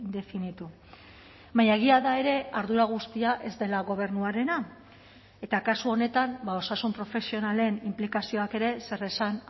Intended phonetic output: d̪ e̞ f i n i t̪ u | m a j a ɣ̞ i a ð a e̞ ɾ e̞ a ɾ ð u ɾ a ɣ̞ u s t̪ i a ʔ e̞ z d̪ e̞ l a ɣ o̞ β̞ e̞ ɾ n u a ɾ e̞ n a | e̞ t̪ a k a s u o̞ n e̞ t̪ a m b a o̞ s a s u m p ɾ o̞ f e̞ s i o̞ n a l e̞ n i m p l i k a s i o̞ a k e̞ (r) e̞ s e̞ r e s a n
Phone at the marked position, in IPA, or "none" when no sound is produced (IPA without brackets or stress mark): ɾ